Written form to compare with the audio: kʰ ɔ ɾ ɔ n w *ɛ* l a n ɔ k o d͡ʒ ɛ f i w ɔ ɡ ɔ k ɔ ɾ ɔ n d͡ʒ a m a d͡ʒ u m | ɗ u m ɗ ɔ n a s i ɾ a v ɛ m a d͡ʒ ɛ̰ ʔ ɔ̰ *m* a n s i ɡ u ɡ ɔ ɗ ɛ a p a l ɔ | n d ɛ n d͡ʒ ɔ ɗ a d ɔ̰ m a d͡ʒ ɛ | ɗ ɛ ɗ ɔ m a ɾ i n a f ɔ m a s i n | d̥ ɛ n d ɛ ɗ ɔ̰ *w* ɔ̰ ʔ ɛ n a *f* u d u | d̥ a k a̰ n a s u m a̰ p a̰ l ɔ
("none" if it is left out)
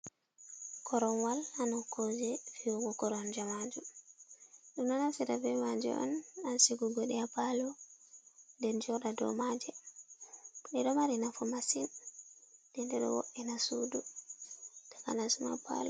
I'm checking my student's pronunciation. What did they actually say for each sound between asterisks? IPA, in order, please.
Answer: a, n, w, s

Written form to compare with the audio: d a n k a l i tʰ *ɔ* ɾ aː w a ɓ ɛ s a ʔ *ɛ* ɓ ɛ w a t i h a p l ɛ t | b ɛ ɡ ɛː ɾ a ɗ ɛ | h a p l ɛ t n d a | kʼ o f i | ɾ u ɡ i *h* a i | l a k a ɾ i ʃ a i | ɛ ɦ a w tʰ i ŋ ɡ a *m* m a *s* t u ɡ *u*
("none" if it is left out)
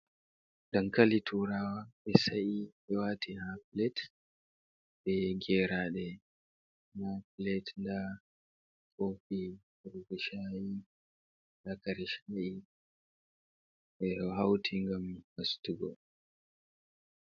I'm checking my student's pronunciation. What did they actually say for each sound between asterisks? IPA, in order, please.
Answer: u, i, ʃ, m, s, ɔ

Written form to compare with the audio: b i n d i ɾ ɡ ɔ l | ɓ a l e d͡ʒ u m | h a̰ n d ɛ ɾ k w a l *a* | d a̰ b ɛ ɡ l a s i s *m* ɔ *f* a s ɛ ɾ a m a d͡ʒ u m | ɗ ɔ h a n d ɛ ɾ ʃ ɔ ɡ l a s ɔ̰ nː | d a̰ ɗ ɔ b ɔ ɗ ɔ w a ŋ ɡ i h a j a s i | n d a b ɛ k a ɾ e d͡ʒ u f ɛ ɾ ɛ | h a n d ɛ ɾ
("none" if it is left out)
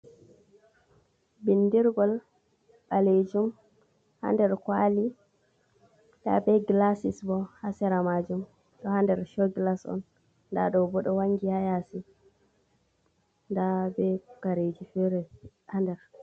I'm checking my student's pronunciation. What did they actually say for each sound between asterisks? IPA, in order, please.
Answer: i, b, h

